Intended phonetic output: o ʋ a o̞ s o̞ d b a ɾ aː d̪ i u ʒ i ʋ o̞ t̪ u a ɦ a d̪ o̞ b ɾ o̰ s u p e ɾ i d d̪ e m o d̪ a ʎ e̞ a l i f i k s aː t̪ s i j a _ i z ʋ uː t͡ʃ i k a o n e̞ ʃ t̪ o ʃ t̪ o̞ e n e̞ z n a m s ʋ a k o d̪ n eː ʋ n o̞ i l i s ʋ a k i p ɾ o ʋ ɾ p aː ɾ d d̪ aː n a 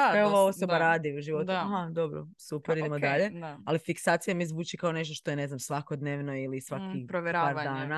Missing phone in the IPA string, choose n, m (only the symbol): m